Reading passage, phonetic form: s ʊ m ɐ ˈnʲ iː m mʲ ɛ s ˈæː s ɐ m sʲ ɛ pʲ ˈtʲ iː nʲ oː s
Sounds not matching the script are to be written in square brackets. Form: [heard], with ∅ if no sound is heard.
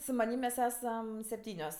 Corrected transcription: s ʊ m ɐ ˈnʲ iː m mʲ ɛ s ˈæː s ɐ m sʲ ɛ pʲ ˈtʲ iː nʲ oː s

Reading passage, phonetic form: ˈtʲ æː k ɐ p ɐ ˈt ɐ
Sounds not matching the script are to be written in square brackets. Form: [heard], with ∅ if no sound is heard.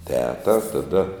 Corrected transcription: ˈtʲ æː [t] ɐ [t] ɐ [ˈd] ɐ

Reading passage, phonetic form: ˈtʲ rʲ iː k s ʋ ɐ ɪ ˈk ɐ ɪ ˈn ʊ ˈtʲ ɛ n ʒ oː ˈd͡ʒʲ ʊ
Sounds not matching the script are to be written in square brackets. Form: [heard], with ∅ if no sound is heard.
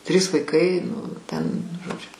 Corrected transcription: ˈtʲ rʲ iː [∅] s ʋ ɐ ɪ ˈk ɐ ɪ ˈn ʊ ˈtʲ ɛ n ʒ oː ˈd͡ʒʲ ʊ

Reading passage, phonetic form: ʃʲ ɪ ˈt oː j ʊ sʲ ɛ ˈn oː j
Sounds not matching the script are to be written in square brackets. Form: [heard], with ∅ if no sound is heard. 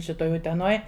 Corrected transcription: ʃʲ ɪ ˈt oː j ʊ [tʲ] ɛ ˈn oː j

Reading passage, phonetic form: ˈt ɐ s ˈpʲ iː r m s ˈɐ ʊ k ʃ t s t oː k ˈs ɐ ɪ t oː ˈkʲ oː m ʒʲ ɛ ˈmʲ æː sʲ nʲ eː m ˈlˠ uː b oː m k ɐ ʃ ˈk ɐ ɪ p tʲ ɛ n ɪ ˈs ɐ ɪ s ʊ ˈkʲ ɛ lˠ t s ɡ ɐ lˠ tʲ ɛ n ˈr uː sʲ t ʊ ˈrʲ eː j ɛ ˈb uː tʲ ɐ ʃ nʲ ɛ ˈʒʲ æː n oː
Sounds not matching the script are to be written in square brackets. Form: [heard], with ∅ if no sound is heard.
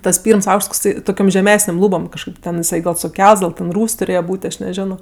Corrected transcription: ˈt ɐ s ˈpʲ iː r m s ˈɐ ʊ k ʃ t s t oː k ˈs ɐ ɪ t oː ˈkʲ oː m ʒʲ ɛ ˈmʲ æː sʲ nʲ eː m ˈlˠ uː b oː m k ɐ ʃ ˈk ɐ ɪ p tʲ ɛ n ɪ ˈs ɐ ɪ s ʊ ˈkʲ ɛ lˠ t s ɡ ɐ lˠ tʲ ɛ n ˈr uː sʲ t ʊ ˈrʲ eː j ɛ ˈb uː tʲ ɐ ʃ nʲ ɛ ˈʒʲ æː n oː

